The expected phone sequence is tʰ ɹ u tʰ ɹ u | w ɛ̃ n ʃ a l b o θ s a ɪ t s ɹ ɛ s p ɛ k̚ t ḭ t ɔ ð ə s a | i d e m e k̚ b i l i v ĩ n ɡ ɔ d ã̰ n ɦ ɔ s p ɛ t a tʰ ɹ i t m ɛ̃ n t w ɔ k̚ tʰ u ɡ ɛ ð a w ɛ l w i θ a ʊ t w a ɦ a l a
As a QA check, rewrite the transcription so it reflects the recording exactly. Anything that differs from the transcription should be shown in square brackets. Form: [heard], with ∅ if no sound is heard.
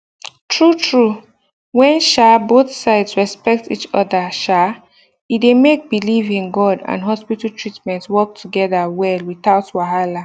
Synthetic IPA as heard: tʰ ɹ u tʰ ɹ u | w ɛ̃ n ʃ a [∅] b o θ s a ɪ [d] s ɹ ɛ s p ɛ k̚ t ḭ [t͡ʃ] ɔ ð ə [ʃ] a | i d e m e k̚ b i l i v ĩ n ɡ ɔ d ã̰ n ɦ ɔ s p [i] t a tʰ ɹ i t m ɛ̃ n t w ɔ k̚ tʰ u ɡ ɛ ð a w ɛ l w i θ a ʊ t w a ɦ a l a

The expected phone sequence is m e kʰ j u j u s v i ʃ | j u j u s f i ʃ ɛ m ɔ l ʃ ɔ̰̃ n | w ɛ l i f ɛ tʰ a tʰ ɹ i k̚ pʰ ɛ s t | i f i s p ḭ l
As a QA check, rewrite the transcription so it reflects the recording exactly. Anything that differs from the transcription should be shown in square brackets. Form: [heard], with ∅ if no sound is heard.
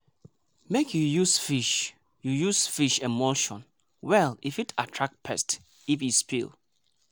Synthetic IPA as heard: m e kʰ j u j u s [f] i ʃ | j u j u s f i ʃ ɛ m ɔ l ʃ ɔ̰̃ n | w ɛ l i f [i] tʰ a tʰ ɹ [a] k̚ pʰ ɛ s t | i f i s p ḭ l

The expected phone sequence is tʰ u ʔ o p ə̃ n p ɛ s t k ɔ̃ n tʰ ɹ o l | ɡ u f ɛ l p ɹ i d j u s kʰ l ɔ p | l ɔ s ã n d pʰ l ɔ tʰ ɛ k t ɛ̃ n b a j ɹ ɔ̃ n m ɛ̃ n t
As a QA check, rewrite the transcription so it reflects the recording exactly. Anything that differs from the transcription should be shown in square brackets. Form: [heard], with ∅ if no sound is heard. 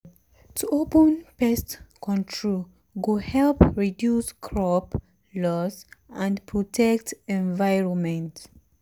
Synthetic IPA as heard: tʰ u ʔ o p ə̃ n p ɛ s t k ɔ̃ n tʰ ɹ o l | ɡ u [h] ɛ l p ɹ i d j u s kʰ [ɹ] ɔ p | l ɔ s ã n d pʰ [ɹ] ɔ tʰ ɛ k t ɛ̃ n [v] a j ɹ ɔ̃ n m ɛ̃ n t

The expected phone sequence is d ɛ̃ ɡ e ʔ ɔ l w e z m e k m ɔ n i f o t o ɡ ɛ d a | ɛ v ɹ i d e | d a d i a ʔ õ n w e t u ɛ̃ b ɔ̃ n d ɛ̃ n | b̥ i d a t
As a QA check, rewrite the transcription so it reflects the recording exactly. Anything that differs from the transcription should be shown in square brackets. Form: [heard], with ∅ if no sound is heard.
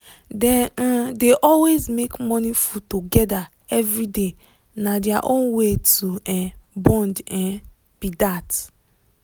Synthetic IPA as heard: d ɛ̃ [d] e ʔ ɔ l w e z m e k m ɔ n i f [u] t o ɡ ɛ d a | ɛ v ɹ i d e | [n] a d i a ʔ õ n w e t u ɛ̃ b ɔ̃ n d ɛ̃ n | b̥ i d a t

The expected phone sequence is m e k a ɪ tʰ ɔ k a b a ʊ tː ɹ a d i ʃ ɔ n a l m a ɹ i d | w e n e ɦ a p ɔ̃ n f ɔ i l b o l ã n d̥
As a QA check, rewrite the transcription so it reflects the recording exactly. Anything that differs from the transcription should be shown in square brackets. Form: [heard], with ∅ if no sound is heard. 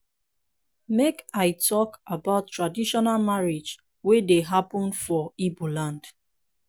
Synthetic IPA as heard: m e k a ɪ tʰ ɔ k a b a ʊ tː ɹ a d i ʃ ɔ n a l m a ɹ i [d͡ʒ] | w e [d] e ɦ a p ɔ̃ n f ɔ i [∅] b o l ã n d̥

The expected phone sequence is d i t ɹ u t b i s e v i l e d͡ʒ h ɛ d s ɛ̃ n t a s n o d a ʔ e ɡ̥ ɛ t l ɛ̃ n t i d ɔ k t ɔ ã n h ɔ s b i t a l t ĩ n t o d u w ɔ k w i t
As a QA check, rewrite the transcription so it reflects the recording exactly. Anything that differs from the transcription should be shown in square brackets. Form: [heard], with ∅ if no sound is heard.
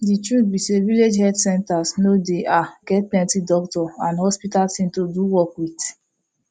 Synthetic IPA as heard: d i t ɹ u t b i s e v i l e d͡ʒ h ɛ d s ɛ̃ n t a s n o d [e] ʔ [a] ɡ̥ ɛ t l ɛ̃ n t i d ɔ k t ɔ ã n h ɔ s [p] i t a l t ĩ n t o d u w ɔ k w i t

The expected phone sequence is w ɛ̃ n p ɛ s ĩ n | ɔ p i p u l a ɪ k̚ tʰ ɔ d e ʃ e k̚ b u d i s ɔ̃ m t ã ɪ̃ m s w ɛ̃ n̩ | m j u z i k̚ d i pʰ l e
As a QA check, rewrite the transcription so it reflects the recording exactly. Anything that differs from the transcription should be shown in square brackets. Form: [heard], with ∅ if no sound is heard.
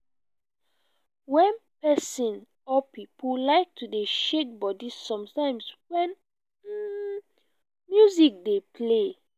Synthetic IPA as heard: w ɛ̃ n p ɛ s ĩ n | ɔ p i p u l a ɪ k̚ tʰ [u] d e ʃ e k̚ b [ɔ] d i s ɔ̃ m t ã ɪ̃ m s w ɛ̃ n̩ | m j u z i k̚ d [e] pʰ l e

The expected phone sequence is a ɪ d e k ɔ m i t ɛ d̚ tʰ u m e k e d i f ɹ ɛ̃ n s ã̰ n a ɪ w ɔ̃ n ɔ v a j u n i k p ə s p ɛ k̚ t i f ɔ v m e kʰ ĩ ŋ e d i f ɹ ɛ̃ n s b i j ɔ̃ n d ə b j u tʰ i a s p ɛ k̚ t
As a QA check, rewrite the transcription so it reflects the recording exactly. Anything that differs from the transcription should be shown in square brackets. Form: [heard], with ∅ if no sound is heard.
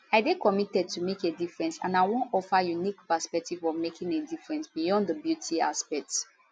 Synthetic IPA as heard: a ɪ d e k ɔ m i t ɛ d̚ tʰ u m e k e d i f ɹ ɛ̃ n s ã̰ n a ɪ w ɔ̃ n ɔ [f] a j u n i k p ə s p ɛ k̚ t i [v] ɔ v m e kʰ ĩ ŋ e d i f ɹ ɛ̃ n s b i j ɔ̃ n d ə b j u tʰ i a s p ɛ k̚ t

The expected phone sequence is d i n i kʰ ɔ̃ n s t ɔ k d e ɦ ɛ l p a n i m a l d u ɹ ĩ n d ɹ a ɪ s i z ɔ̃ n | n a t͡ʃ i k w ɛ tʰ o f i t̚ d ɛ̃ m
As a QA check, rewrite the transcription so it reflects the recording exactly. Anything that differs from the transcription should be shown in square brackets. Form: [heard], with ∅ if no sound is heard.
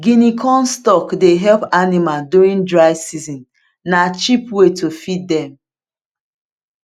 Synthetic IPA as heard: [ɡ] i n i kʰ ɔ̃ n s t ɔ k d e ɦ ɛ l p a n i m a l d u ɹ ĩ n d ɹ a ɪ s i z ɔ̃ n | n a t͡ʃ i [p] w [e] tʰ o f i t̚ d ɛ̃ m

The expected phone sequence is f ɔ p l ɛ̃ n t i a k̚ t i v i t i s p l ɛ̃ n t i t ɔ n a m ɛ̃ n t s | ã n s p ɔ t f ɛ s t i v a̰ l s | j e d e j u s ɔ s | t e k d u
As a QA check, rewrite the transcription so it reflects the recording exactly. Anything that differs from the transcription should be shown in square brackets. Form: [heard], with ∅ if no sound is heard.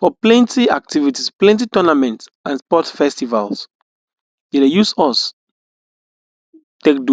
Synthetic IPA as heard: f ɔ p l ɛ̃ n t i a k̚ t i v i t i s p l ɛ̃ n t i t ɔ n a m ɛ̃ n t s | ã n s p ɔ t f ɛ s t i v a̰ l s | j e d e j u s ɔ s | t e k d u

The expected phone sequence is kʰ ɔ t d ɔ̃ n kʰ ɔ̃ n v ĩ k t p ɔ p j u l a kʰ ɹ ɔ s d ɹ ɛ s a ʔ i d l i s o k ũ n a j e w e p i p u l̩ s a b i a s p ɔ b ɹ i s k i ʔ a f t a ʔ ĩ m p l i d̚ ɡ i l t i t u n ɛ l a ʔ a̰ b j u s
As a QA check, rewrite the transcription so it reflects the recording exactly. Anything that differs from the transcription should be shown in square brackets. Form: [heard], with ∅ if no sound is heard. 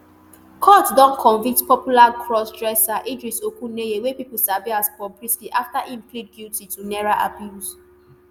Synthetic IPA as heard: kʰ ɔ t d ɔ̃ n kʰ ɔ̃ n v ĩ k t p ɔ p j u l a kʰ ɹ ɔ s d ɹ ɛ s a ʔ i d [ɹ] i s o k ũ n [e] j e w e p i p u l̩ s a [v] i a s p ɔ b ɹ i s k i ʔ a f t a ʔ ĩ m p l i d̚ ɡ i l t i t u n ɛ [ɹ] a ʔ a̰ b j u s

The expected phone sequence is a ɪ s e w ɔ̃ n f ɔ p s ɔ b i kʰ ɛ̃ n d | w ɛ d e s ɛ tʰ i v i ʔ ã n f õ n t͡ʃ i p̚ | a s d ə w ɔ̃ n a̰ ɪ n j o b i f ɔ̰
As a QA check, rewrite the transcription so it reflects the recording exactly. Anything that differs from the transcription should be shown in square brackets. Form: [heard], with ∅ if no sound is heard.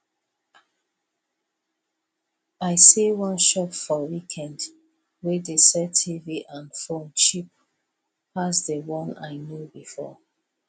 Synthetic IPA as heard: a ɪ s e w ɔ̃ n [ʃ] ɔ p [f] ɔ [w] i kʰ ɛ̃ n d | w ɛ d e s ɛ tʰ i v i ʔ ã n f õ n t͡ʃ i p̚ | a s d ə w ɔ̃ n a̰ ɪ n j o b i f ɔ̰

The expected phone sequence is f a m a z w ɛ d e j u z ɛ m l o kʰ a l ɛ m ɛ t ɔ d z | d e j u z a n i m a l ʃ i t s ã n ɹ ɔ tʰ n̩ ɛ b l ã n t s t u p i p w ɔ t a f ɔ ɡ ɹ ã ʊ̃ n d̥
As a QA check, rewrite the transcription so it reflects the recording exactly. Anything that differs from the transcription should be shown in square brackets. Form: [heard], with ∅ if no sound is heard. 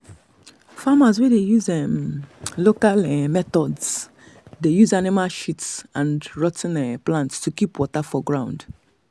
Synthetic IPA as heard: f a m a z w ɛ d e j u z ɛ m l o [k] a l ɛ m ɛ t ɔ d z | d e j u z a n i m a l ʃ i t s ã n ɹ ɔ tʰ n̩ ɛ [p] l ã n t s t u [k] i p w ɔ t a f ɔ ɡ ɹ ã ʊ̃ n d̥

